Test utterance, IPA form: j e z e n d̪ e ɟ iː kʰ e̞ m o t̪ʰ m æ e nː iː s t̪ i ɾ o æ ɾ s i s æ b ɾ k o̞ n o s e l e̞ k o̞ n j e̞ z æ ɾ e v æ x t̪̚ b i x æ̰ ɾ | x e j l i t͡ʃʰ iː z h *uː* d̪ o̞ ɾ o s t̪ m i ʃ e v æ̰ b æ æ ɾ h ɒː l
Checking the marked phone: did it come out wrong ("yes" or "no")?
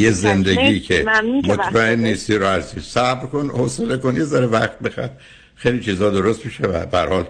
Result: yes